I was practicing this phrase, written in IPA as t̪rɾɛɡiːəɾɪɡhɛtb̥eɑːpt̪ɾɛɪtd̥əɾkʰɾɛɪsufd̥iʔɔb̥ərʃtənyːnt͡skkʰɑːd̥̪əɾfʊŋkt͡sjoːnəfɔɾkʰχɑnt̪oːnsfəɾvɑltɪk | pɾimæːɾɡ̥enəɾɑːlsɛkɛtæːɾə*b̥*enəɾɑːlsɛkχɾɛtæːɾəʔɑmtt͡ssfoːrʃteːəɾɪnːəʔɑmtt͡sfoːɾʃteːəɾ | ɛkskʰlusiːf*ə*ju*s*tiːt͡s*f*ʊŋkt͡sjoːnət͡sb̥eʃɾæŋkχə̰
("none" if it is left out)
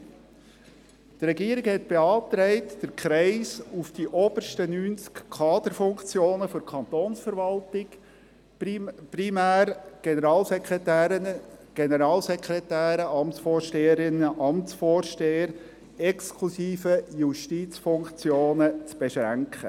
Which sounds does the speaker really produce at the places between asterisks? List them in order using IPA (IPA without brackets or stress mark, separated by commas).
ɡ̥, ə, ʃ, f